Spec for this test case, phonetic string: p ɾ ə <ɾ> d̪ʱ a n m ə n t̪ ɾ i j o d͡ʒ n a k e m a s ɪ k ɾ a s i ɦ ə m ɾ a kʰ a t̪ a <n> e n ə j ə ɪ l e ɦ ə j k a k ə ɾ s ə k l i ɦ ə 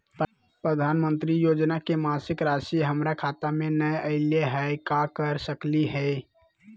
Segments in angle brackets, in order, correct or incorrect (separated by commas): incorrect, incorrect